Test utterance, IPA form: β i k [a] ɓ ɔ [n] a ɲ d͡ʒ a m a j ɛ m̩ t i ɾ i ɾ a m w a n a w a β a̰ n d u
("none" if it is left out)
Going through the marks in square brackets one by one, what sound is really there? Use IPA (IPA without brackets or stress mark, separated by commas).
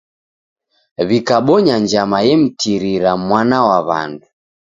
a, ɲ